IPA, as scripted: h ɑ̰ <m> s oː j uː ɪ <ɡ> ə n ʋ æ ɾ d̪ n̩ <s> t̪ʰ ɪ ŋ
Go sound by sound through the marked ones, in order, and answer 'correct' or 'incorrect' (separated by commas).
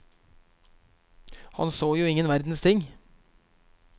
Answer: incorrect, incorrect, correct